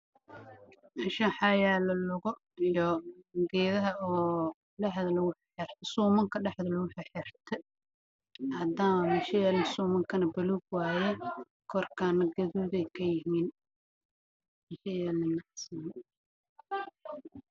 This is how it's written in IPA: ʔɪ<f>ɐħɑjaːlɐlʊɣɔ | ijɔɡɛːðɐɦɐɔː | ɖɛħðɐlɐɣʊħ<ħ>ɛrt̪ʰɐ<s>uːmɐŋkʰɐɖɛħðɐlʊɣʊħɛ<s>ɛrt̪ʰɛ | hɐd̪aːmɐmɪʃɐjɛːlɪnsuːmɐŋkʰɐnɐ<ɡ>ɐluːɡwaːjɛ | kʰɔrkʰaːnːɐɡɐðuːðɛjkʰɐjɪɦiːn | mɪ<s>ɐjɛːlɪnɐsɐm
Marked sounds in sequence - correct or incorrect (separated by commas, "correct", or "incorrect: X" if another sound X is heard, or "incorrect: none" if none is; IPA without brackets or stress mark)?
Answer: incorrect: ʃ, correct, correct, incorrect: ħ, incorrect: b, incorrect: ʃ